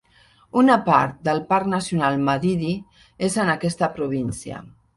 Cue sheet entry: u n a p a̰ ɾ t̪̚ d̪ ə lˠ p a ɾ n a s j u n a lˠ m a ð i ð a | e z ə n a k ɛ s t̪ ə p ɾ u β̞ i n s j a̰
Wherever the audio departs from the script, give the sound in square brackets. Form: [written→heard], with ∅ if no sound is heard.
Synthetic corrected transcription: u n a p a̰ ɾ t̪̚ d̪ ə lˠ p a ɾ n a s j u n a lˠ m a ð i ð [a→i] | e z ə n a k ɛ s t̪ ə p ɾ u β̞ i n s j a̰

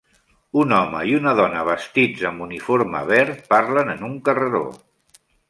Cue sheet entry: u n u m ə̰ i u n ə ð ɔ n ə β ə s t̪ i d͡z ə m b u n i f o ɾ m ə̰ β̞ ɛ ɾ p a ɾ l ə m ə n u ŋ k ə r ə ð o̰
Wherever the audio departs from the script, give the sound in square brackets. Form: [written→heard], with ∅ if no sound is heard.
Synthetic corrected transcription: u n [u→ɔ] m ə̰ i u n ə ð ɔ n ə β ə s t̪ i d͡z ə m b u n i f o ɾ m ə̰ β̞ ɛ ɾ p a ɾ l ə [m→n] ə n u ŋ k ə r ə ð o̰

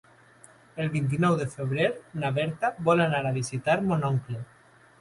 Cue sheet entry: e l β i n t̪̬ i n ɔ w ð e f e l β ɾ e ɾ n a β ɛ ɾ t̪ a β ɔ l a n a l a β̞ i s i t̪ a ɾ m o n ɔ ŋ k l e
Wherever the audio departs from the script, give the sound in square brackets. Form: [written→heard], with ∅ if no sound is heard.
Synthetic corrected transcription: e l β i n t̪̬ i n ɔ w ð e f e [l→∅] β ɾ e ɾ n a β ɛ ɾ t̪ a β ɔ l a n a [l→ɾ] a β̞ i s i t̪ a ɾ m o n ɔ ŋ k l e

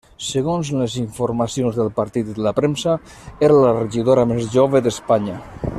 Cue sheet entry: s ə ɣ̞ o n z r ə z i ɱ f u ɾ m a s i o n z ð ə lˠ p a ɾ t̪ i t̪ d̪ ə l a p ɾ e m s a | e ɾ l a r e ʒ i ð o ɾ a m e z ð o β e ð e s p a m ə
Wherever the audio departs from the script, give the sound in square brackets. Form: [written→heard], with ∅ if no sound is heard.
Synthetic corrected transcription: s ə ɣ̞ o n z [r→l] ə z i ɱ f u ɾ m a s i o n z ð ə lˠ p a ɾ t̪ i t̪ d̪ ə l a p ɾ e m s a | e ɾ l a r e ʒ i ð o ɾ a m e z [ð→ʒ] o β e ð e s p a [m→ɲ] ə

